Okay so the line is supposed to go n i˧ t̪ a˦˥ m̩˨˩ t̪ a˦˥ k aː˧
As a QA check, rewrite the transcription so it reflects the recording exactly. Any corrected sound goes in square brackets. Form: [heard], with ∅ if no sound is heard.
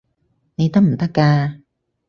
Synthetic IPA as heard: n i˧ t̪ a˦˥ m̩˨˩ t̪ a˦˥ k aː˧

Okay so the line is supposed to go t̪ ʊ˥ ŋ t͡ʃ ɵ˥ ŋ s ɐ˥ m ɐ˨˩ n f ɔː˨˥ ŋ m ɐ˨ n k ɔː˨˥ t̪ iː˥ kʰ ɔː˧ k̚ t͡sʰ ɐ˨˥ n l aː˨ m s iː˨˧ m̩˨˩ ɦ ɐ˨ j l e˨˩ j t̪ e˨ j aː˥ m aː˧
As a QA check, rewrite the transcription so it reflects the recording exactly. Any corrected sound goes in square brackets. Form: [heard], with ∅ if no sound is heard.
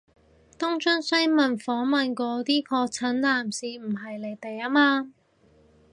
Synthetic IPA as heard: t̪ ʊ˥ ŋ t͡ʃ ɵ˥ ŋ s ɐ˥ m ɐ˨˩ n f ɔː˨˥ ŋ m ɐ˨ n k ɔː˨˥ t̪ iː˥ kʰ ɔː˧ k̚ t͡sʰ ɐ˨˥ n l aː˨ m s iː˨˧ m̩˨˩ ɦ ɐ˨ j l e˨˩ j t̪ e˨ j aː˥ m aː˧

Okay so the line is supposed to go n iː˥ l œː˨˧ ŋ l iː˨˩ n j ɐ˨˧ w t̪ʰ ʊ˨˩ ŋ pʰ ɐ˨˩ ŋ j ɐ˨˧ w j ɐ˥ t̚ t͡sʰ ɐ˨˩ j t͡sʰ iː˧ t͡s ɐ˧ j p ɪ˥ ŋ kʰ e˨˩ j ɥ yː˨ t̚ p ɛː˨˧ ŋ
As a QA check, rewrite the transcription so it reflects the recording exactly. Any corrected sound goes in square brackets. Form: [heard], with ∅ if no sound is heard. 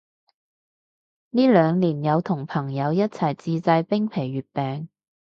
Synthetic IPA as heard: n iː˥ l œː˨˧ ŋ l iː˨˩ n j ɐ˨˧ w t̪ʰ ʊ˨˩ ŋ pʰ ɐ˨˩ ŋ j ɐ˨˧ w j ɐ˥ t̚ t͡sʰ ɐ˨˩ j [t͡s] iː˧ t͡s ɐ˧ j p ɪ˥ ŋ [pʰ] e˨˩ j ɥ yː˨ t̚ p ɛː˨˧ ŋ

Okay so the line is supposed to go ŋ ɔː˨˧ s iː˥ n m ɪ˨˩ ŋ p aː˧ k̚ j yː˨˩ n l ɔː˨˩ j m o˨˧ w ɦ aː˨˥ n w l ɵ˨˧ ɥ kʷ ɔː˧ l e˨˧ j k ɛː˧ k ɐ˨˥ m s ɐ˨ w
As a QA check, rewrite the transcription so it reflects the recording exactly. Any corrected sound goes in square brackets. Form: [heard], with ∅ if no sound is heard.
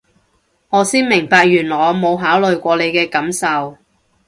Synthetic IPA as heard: ŋ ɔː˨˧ s iː˥ n m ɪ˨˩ ŋ p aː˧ k̚ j yː˨˩ n l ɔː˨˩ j m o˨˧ w ɦ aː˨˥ [∅] w l ɵ˨˧ ɥ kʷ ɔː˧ l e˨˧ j k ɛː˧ k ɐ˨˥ m s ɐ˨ w

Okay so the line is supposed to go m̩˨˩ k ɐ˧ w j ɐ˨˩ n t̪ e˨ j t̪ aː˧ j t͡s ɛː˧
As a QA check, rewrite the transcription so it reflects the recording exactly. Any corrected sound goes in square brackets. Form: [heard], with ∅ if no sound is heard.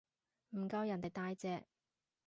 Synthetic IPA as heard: m̩˨˩ k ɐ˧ w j ɐ˨˩ n t̪ e˨ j t̪ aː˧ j t͡s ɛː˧

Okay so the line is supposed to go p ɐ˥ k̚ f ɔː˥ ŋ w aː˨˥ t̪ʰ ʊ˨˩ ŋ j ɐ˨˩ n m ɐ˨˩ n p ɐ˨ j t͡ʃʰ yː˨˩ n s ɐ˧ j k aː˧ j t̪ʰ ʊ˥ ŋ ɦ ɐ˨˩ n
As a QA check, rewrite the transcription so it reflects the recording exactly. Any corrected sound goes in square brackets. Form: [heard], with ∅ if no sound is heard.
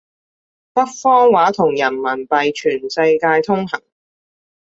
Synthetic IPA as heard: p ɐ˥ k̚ f ɔː˥ ŋ w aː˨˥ t̪ʰ ʊ˨˩ ŋ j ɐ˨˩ n m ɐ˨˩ n p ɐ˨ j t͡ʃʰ yː˨˩ n s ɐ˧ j k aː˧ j t̪ʰ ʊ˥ ŋ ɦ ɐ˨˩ [ŋ]

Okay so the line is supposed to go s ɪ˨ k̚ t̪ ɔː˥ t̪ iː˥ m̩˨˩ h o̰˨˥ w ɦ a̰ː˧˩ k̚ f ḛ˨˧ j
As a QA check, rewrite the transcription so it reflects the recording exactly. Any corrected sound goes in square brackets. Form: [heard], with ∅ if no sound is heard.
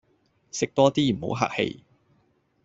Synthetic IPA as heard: s ɪ˨ k̚ t̪ ɔː˥ t̪ iː˥ m̩˨˩ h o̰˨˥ w ɦ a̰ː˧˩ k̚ [h] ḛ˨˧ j

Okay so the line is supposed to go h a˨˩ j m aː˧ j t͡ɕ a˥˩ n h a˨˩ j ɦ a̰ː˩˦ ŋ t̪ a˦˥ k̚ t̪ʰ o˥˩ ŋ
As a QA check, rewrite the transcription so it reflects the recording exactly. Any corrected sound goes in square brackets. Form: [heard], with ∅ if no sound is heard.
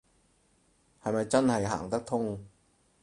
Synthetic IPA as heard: h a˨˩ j m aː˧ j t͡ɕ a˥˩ n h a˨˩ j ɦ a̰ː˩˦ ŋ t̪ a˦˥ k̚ t̪ʰ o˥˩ ŋ

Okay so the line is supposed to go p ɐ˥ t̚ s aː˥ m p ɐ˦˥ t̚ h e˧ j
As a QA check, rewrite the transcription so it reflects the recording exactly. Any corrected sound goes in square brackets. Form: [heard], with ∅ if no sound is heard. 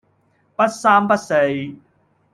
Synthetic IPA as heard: p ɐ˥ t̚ s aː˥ m p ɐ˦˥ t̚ [s] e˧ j

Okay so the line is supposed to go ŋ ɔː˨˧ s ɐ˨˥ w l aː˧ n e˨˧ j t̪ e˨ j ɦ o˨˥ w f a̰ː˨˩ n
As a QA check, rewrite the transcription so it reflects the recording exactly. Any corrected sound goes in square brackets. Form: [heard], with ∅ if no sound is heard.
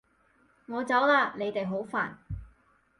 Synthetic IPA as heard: ŋ ɔː˨˧ [t͡s] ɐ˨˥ w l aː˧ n e˨˧ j t̪ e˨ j ɦ o˨˥ w f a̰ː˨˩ n

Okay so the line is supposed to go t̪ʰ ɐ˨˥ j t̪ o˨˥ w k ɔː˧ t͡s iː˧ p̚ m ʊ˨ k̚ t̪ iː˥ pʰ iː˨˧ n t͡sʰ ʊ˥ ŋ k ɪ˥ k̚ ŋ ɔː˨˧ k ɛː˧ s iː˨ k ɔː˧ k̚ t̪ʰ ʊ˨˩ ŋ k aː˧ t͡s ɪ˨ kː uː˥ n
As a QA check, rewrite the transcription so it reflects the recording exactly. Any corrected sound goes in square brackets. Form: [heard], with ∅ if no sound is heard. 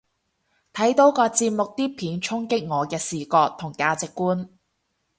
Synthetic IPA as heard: t̪ʰ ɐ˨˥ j t̪ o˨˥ w k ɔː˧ t͡s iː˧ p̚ m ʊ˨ k̚ t̪ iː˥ pʰ iː˨˧ n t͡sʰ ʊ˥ ŋ k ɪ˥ k̚ ŋ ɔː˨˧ k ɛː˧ s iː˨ k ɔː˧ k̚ t̪ʰ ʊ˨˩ ŋ k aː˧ t͡s ɪ˨ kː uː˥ n

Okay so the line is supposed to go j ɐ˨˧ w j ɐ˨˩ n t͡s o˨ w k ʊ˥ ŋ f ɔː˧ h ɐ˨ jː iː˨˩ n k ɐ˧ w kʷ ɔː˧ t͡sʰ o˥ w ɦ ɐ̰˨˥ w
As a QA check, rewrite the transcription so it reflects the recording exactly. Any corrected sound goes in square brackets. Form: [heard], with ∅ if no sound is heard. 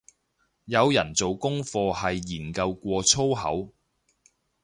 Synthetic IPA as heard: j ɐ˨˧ w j ɐ˨˩ n t͡s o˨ w k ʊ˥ ŋ f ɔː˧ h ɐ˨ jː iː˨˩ n k ɐ˧ w kʷ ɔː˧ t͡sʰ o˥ w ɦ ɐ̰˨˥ w

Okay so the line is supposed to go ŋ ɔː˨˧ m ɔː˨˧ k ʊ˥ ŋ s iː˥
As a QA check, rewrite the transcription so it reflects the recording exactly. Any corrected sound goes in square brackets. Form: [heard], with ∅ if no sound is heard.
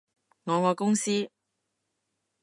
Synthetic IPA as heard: ŋ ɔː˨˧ [ŋ] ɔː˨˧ k ʊ˥ ŋ s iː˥

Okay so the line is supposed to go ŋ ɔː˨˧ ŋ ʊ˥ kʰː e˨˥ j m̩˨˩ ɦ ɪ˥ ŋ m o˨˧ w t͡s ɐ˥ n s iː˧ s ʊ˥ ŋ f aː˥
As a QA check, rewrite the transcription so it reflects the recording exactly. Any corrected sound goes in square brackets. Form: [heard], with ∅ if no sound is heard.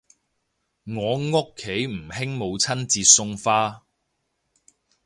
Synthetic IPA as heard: ŋ ɔː˨˧ ŋ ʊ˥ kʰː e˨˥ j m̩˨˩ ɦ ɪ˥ ŋ m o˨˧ w [t͡sʰ] ɐ˥ n [t͡s] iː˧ s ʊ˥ ŋ f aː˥

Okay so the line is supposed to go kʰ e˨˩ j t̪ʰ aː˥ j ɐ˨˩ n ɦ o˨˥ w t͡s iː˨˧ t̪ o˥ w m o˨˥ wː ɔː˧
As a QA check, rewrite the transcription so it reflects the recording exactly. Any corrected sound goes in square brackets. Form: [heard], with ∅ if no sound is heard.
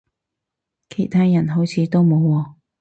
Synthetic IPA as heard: kʰ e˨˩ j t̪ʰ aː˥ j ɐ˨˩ n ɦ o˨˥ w [t͡sʰ] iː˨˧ t̪ o˥ w m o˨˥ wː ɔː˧

